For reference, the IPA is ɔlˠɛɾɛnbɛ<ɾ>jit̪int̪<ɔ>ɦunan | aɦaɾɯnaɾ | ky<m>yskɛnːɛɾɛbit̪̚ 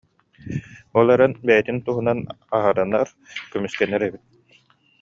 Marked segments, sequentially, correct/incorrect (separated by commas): incorrect, incorrect, correct